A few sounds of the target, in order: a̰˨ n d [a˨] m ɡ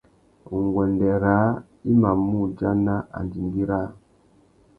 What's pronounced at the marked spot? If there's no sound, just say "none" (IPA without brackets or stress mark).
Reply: i˨